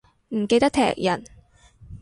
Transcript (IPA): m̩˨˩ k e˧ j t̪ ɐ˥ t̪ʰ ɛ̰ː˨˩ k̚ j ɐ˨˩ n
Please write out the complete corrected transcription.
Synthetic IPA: m̩˨˩ k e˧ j t̪ ɐ˥ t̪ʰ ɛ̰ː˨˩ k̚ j ɐ˨˩ n